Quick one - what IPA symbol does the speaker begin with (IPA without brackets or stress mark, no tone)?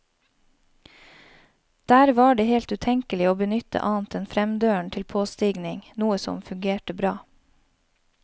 d̪̥